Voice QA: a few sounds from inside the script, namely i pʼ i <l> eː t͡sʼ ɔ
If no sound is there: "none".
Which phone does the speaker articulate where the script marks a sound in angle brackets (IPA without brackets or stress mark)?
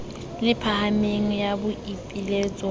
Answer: l